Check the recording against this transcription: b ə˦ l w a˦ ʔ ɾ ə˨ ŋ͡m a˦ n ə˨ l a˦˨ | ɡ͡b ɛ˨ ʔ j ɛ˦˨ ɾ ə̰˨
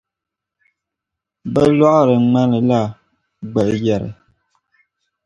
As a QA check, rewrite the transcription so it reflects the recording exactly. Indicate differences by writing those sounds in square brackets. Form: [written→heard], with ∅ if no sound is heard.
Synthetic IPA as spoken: b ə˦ l w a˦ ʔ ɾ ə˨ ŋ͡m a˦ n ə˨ l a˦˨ | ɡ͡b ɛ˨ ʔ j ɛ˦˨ ɾ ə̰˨